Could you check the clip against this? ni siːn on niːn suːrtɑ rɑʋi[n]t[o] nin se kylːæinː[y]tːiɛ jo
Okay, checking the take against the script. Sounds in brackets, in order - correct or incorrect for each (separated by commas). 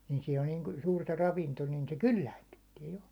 correct, correct, correct